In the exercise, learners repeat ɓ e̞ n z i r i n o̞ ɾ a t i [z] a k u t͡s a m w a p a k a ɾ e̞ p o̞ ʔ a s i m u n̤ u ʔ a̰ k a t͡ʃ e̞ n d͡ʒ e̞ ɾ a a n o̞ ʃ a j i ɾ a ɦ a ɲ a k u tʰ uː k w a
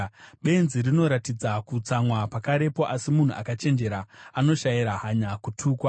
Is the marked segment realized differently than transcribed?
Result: yes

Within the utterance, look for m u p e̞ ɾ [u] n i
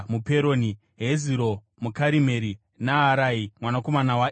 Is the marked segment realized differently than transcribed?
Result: yes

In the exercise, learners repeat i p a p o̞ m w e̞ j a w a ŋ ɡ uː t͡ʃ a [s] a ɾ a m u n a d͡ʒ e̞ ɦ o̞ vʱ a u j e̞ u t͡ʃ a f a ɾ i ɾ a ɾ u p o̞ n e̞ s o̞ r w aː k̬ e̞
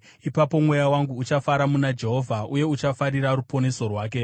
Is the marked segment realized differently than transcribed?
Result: yes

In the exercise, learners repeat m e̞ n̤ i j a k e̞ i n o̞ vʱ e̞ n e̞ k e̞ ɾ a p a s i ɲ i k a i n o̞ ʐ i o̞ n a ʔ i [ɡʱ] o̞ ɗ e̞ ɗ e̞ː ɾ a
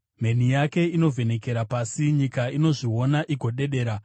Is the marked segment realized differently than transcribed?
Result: no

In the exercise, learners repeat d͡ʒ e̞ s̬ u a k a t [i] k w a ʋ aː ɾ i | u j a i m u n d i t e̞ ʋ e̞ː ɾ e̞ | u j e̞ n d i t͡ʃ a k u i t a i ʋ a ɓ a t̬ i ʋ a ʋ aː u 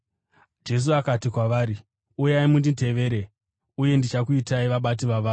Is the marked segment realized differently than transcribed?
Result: no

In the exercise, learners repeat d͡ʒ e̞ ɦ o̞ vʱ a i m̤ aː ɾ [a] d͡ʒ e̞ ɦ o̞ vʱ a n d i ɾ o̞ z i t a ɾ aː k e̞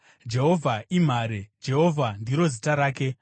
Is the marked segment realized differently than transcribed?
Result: yes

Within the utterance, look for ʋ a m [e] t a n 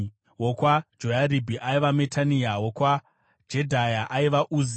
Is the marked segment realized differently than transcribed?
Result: no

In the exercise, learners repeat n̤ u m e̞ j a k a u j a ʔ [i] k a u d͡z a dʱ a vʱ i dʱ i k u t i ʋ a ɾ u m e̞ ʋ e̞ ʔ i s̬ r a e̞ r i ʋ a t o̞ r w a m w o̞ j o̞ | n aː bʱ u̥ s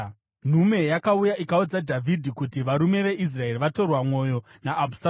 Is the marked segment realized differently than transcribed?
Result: no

